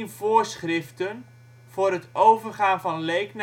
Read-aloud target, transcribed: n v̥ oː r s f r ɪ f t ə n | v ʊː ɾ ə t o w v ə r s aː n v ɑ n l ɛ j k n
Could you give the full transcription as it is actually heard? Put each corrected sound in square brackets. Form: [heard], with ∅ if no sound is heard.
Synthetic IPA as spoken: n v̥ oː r s [χ] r ɪ f t ə n | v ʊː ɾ ə t o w v ə r [χ] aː n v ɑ n l [e] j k n